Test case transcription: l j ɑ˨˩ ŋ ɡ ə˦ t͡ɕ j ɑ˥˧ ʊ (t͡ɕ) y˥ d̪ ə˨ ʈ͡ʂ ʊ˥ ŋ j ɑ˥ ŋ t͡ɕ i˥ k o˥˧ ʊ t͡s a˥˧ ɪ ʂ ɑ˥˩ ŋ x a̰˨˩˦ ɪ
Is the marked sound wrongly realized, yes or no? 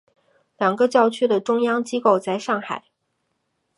yes